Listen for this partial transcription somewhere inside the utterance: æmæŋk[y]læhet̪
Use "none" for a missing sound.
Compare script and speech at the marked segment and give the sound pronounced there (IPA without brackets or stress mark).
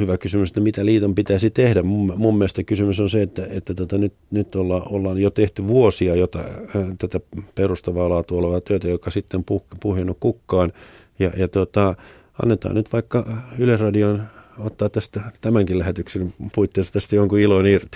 i